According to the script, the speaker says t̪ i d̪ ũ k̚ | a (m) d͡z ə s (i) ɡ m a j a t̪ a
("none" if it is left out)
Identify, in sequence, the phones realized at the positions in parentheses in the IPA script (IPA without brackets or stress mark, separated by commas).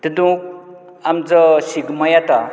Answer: m, i